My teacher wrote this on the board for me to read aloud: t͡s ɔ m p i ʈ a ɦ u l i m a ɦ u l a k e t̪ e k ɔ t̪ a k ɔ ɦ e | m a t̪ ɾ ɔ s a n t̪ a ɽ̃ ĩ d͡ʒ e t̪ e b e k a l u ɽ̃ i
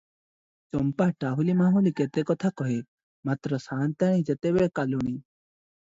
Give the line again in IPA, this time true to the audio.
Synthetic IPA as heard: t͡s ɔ m p a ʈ a ɦ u l i m a ɦ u l i k e t̪ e k ɔ t̪ʰ a k ɔ ɦ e | m a t̪ ɾ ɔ s a n t̪ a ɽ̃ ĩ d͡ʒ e t̪ e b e k a l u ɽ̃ i

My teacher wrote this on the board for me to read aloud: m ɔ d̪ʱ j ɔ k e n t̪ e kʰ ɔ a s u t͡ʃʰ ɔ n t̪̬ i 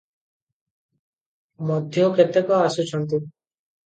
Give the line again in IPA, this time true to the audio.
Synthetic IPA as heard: m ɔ d̪ʱ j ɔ k e t̪ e k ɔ a s u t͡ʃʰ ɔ n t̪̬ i

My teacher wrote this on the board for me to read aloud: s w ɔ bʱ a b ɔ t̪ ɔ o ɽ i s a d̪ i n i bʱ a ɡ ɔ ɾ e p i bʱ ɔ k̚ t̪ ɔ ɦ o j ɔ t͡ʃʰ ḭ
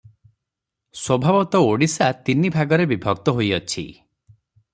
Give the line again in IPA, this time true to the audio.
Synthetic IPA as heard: s w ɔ bʱ a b ɔ t̪ ɔ o ɽ i s a t̪ i n i bʱ a ɡ ɔ ɾ e b i bʱ ɔ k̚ t̪ ɔ ɦ o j ɔ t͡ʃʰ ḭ

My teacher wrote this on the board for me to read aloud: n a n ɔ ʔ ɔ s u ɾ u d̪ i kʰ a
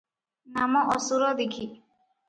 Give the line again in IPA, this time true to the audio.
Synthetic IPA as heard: n a m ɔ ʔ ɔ s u ɾ ɔ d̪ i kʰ i

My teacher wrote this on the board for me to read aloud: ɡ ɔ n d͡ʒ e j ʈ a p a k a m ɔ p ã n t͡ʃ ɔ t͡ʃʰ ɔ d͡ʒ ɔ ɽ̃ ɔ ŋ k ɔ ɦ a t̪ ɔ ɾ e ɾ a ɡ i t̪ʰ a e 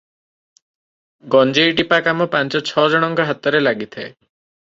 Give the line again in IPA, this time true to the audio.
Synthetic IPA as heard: ɡ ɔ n d͡ʒ e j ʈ i p a k a m ɔ p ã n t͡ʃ ɔ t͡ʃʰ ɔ d͡ʒ ɔ ɽ̃ ɔ ŋ k ɔ ɦ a t̪ ɔ ɾ e l a ɡ i t̪ʰ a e

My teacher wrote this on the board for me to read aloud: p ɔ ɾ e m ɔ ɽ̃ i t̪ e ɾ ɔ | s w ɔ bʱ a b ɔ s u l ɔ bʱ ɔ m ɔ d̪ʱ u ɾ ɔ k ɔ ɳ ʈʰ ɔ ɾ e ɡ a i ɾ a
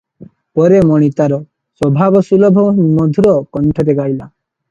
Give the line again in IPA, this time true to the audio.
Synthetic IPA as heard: p ɔ ɾ e m ɔ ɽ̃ i t̪ a ɾ ɔ | s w ɔ bʱ a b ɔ s u l ɔ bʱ ɔ m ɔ d̪ʱ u ɾ ɔ k ɔ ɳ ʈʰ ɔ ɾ e ɡ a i l a

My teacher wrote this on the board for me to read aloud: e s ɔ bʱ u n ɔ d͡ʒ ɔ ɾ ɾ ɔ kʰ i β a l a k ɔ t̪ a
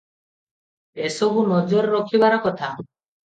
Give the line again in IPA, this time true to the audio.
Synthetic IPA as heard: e s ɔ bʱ u n ɔ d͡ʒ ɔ ɾ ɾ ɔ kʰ i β a ɾ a k ɔ t̪ʰ a

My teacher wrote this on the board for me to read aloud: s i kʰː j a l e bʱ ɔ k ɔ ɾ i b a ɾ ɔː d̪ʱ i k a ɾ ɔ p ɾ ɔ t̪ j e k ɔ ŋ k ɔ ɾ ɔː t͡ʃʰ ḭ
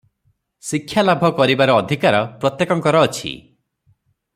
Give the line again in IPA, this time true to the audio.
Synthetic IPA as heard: s i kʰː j a l a bʱ ɔ k ɔ ɾ i b a ɾ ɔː d̪ʱ i k a ɾ ɔ p ɾ ɔ t̪ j e k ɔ ŋ k ɔ ɾ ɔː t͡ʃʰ ḭ

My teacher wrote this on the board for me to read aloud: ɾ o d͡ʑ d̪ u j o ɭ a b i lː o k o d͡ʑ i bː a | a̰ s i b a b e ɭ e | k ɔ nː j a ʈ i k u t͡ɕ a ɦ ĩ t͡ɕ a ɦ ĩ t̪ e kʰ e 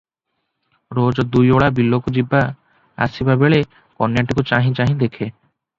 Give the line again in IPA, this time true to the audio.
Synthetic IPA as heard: ɾ o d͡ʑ d̪ u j o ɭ a b i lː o k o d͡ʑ i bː a | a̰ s i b a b e ɭ e | k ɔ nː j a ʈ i k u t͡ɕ a ɦ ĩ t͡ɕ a ɦ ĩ d̪ e kʰ e

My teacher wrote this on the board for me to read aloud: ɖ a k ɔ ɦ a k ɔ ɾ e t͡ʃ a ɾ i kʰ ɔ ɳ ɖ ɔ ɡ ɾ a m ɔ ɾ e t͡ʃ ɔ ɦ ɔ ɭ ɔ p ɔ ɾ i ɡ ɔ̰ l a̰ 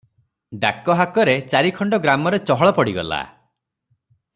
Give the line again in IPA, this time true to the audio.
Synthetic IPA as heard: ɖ a k ɔ ɦ a k ɔ ɾ e t͡ʃ a ɾ i kʰ ɔ ɳ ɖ ɔ ɡ ɾ a m ɔ ɾ e t͡ʃ ɔ ɦ ɔ ɭ ɔ p ɔ ɽ i ɡ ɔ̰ l a̰

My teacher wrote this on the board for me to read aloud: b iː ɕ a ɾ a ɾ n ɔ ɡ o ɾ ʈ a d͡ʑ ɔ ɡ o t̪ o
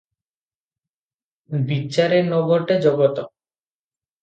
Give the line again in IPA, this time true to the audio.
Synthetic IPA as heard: b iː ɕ a ɾ e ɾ n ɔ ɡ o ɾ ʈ e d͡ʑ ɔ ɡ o t̪ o

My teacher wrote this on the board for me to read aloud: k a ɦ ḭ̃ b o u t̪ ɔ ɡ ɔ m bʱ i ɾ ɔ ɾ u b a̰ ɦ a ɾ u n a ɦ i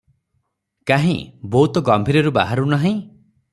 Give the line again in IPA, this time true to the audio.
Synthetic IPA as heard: k a ɦ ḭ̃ b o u t̪ ɔ ɡ ɔ m bʱ i ɾ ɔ ɾ u b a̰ ɦ a ɾ u n a ɦ ĩ

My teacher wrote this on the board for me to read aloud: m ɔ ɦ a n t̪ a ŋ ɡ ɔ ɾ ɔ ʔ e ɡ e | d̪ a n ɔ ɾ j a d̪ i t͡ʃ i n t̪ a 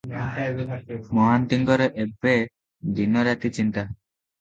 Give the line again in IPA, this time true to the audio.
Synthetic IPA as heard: m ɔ ɦ a n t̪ i ŋ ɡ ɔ ɾ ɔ ʔ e b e | d̪ i n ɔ ɾ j a t̪ i t͡ʃ i n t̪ a

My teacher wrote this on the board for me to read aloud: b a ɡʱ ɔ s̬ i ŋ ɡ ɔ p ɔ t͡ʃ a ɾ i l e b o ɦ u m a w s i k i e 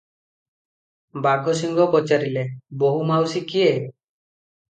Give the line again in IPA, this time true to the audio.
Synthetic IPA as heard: b a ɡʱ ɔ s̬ i ŋ ɡ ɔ p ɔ t͡ʃ a ɾ i l e b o ɦ u m a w s i k i e

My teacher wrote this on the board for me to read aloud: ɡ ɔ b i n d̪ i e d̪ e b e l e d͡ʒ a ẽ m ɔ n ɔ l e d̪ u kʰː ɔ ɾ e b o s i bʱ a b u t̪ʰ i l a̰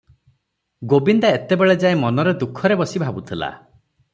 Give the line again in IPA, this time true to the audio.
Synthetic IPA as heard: ɡ o b i n d̪ a e t̪ e b e ɭ e d͡ʒ a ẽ m ɔ n ɔ ɾ e d̪ u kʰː ɔ ɾ e b ɔ s i bʱ a b u t̪ʰ i l a̰

